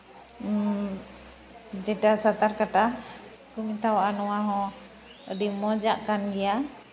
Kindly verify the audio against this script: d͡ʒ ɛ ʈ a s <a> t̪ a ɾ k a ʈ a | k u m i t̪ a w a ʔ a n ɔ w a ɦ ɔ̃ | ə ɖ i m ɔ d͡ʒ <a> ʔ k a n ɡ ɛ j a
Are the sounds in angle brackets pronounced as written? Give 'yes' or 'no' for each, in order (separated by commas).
yes, yes